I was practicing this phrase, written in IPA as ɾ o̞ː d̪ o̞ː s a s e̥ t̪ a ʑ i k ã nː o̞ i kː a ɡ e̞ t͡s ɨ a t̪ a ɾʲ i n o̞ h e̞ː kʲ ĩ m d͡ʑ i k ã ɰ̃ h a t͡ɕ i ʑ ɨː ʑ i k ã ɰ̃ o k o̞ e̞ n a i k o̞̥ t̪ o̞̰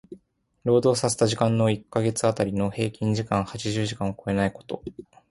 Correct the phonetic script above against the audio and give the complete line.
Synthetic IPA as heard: ɾ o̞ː d̪ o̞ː s a s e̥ t̪ a ʑ i k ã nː o̞ i kː a ɡ e̞ t͡s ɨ a t̪ a ɾʲ i n o̞ h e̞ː kʲ ĩ ɲ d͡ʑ i k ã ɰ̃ h a t͡ɕ i ʑ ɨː ʑ i k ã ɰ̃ o k o̞ e̞ n a i k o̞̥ t̪ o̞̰